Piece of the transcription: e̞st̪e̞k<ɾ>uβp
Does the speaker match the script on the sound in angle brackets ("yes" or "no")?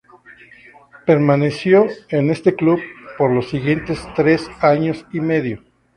no